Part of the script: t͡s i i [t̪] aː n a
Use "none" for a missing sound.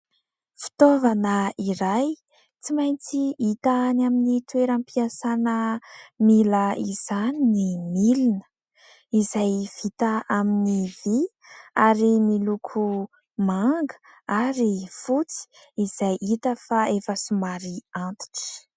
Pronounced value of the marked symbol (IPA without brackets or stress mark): t̪